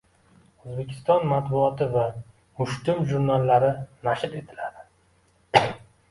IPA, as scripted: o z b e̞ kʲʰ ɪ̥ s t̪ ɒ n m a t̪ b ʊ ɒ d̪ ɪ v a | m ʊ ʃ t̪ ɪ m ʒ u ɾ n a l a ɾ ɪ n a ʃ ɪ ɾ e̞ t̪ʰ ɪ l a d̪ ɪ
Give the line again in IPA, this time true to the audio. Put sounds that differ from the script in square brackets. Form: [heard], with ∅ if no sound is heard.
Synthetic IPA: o z b e̞ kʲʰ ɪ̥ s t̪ ɒ n m a t̪ b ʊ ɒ [t̪] ɪ v a | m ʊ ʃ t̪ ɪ m ʒ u ɾ n a [lː] a ɾ ɪ n a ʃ ɪ ɾ e̞ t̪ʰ ɪ l a d̪ ɪ